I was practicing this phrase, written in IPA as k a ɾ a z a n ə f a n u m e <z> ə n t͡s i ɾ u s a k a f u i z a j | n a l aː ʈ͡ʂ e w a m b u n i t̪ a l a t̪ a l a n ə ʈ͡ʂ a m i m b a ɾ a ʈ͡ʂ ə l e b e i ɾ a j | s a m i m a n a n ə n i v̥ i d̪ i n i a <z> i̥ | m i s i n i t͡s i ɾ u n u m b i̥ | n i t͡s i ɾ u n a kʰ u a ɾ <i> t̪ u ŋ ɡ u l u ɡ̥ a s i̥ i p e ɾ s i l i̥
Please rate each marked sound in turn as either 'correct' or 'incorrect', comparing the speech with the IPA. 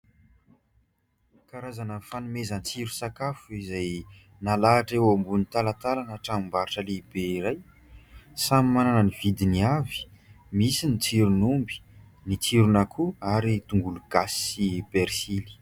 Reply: correct, incorrect: v, correct

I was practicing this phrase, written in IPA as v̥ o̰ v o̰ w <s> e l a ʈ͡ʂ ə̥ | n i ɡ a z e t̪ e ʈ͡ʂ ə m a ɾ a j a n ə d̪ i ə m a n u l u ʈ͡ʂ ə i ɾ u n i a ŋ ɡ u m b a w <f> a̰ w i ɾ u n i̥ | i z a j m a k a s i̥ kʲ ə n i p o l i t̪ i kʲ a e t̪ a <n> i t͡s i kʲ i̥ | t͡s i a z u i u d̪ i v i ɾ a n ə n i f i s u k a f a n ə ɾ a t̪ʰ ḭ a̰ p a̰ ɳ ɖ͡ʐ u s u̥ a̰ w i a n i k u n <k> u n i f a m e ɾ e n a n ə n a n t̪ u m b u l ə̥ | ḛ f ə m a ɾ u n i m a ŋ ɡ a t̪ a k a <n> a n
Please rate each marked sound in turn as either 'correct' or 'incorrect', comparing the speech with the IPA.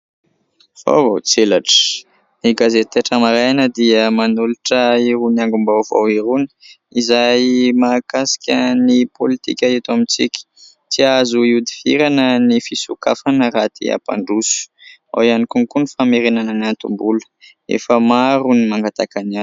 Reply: incorrect: t͡s, incorrect: v, incorrect: m, correct, correct

